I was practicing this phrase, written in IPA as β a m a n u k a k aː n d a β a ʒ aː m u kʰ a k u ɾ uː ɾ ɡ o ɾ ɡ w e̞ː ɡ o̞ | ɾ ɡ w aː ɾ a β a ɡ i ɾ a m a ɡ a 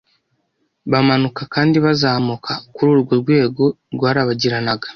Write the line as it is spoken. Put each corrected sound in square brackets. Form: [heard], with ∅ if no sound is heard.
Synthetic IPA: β a m a n u k a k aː n d [i] β a [z] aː m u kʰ a k u ɾ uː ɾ ɡ o ɾ ɡ w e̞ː ɡ o̞ | ɾ ɡ w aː ɾ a β a [ɟ] i ɾ a [n] a ɡ a